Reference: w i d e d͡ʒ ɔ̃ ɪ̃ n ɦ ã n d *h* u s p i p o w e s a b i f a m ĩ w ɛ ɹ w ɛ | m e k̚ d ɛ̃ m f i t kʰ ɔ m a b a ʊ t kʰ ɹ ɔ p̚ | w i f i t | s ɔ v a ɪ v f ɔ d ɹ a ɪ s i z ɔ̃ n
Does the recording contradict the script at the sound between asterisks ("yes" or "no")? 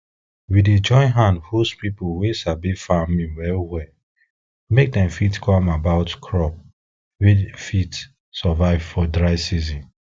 no